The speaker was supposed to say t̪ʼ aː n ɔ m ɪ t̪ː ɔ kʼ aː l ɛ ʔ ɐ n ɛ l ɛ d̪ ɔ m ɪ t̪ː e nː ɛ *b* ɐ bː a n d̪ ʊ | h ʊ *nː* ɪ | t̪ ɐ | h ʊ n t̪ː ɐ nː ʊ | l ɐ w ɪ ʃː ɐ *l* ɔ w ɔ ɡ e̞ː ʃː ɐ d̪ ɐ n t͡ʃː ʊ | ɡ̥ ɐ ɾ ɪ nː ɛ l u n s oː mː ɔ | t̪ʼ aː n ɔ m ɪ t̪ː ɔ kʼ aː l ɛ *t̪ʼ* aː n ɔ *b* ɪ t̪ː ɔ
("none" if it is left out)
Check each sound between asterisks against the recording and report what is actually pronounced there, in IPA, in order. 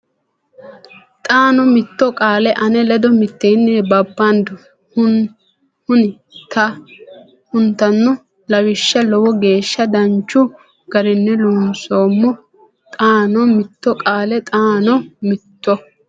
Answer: b, n, l, t̪ʼ, m

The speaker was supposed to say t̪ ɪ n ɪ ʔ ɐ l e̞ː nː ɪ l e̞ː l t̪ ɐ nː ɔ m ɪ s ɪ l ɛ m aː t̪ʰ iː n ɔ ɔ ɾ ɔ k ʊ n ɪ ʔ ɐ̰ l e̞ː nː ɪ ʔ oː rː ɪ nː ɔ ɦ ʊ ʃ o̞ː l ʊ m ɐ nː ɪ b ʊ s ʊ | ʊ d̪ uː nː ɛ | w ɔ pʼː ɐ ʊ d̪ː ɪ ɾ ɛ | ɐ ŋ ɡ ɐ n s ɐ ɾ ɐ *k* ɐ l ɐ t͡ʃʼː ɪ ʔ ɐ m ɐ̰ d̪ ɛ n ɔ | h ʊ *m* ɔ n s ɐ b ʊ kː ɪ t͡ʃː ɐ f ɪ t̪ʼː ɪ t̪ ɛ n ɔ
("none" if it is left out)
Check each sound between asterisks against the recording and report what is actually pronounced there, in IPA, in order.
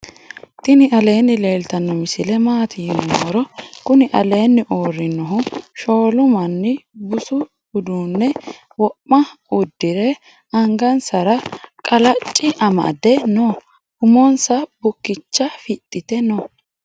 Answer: kʼ, m

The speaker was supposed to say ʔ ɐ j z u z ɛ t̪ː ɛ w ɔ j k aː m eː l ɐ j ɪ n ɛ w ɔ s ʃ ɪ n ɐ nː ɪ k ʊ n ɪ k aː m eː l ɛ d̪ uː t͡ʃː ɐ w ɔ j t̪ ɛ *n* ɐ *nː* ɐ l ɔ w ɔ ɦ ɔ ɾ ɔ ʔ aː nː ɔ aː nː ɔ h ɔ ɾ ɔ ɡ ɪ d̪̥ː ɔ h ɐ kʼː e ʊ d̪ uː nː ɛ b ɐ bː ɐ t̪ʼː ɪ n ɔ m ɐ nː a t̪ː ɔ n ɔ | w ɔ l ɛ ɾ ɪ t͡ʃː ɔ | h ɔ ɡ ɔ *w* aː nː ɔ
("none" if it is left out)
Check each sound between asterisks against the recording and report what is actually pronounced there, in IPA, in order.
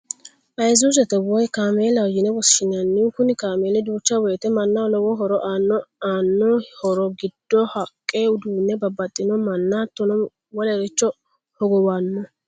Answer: m, nː, w

